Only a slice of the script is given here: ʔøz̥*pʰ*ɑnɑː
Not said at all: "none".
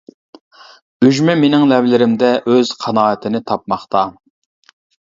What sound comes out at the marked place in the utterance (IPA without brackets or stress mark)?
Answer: qʰ